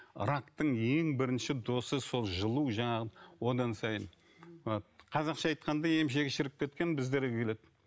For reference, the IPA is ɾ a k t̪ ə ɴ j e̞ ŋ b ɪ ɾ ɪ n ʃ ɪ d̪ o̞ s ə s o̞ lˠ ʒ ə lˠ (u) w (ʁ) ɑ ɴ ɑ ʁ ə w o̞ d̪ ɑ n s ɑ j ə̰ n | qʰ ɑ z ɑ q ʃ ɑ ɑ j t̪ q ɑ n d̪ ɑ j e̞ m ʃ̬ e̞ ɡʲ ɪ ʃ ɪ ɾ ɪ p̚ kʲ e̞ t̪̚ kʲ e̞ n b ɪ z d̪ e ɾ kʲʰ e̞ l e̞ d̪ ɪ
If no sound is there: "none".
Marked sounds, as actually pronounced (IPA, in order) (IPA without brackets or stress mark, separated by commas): u, ʒ